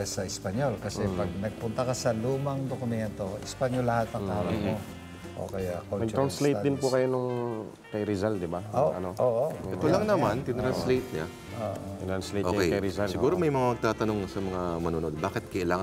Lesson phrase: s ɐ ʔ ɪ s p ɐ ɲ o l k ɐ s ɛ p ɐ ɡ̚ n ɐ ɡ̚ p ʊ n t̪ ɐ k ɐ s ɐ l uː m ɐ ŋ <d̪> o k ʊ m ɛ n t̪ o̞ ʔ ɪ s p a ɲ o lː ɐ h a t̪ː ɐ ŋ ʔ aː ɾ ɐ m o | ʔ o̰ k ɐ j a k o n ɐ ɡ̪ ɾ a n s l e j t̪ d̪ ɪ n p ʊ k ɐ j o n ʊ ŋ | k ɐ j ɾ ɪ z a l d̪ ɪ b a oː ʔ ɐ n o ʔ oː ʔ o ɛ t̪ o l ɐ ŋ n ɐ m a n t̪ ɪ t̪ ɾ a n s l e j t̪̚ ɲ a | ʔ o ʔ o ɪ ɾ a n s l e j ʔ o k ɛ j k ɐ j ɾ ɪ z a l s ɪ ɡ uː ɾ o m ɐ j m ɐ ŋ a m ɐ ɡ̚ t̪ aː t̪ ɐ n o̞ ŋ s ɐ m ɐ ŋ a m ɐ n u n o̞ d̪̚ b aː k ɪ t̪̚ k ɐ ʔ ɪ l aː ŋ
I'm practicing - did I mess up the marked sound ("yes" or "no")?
no